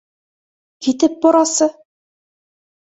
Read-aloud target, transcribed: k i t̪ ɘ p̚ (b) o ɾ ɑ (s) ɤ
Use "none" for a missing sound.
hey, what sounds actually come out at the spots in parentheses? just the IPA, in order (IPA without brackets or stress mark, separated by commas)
b, s